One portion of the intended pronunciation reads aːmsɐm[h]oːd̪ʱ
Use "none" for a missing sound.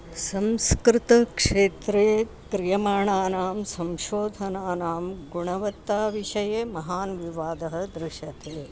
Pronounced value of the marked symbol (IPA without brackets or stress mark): ʃ